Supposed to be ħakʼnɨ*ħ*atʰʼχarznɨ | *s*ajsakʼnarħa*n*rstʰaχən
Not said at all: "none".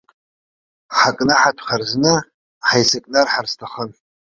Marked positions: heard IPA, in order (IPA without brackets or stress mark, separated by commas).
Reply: ħ, ħ, none